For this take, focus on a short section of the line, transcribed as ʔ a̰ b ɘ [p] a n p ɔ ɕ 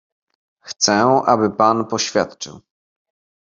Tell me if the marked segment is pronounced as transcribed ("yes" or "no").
yes